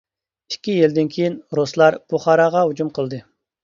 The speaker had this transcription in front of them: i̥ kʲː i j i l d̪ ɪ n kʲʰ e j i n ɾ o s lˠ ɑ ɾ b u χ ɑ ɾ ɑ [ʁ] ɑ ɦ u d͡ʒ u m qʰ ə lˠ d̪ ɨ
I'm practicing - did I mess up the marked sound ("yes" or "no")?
no